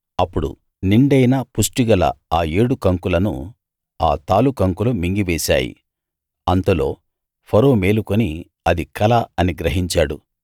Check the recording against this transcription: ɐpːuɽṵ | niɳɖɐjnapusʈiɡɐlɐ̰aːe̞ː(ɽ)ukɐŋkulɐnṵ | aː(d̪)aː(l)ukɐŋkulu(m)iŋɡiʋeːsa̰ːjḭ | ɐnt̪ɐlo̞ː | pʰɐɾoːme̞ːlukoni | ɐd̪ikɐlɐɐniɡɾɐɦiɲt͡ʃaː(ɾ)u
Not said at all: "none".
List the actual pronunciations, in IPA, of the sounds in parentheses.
ɽ, t̪, l, m, ɽ

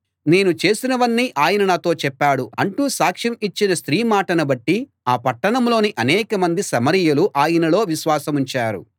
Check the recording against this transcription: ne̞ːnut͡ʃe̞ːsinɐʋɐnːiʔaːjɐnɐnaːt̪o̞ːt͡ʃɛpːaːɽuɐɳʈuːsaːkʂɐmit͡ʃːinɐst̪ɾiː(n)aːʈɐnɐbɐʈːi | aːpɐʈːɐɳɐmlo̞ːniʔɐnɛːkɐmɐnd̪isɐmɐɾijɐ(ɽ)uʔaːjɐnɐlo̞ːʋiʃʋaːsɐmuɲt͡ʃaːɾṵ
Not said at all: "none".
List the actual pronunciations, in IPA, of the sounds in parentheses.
m, l

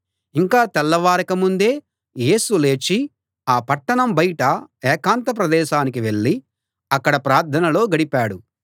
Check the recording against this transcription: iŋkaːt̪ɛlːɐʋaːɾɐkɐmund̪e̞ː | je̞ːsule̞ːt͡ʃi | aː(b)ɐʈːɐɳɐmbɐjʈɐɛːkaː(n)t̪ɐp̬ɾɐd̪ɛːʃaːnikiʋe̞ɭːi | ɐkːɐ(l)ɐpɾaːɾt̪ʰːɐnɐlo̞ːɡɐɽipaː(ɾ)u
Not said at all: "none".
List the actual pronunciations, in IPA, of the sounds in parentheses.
p, n, ɽ, ɽ

